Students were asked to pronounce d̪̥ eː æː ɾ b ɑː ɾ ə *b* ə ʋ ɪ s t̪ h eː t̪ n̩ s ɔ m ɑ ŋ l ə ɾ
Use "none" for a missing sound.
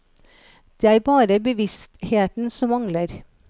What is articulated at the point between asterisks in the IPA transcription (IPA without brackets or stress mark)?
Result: b